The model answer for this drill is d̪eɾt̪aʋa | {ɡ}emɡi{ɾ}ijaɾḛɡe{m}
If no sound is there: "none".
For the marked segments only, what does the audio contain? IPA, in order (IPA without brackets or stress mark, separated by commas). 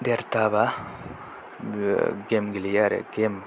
ɡ, l, m